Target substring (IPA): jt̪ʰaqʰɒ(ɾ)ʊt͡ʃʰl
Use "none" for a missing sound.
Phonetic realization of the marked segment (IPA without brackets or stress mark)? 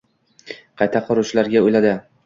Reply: ɾ